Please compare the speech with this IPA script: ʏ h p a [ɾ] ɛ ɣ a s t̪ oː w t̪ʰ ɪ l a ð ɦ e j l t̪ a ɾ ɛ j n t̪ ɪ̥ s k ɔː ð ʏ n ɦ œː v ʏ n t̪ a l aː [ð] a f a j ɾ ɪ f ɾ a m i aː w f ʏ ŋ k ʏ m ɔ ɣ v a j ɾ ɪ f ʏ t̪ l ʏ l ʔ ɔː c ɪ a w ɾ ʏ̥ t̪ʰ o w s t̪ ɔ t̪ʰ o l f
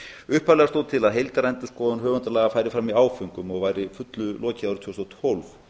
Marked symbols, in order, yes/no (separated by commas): no, no